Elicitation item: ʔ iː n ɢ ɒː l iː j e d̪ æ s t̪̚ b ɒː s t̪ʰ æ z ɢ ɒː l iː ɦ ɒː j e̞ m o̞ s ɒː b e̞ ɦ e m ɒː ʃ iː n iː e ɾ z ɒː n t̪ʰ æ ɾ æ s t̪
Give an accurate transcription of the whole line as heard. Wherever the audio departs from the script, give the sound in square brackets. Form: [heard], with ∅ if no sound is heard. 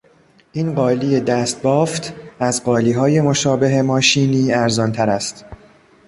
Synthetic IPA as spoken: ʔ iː n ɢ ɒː l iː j e d̪ æ s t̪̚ b ɒː [f] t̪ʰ æ z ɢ ɒː l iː ɦ ɒː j e̞ m o̞ [ʃ] ɒː b e̞ ɦ e m ɒː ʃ iː n iː [æ] ɾ z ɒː n t̪ʰ æ ɾ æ s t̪

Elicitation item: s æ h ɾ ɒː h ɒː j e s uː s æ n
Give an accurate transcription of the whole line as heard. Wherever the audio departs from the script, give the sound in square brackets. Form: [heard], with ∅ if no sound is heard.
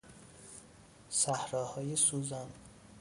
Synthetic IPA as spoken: s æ h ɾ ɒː h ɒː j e s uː [z] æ n

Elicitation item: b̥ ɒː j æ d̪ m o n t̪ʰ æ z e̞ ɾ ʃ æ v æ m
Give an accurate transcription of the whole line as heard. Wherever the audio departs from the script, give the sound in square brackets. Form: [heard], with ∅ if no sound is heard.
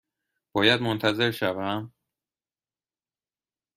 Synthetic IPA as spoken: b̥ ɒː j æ d̪ m o n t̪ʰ æ z e̞ ɾ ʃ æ v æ m

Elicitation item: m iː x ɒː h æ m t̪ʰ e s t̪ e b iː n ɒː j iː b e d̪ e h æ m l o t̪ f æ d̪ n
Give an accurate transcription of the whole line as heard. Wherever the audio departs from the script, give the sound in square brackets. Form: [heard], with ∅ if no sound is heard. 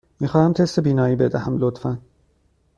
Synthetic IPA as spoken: m iː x ɒː h æ m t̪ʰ e s t̪ e b iː n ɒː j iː b e d̪ [æ] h æ m l o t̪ f æ [∅] n

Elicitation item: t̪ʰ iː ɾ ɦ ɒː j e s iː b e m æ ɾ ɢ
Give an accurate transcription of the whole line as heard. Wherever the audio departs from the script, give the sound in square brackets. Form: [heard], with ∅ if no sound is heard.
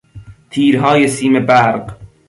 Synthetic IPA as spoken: t̪ʰ iː ɾ ɦ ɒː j e s iː [m] e [b] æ ɾ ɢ

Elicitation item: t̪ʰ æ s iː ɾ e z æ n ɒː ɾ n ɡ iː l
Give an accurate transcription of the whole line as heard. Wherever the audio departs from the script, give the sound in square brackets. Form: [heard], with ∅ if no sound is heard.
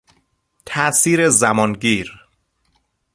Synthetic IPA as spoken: t̪ʰ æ s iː ɾ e z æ [m] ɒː [∅] n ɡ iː [ɾ]

